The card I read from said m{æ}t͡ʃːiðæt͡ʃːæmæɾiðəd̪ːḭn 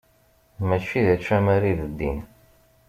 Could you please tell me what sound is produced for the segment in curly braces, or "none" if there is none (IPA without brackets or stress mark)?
æ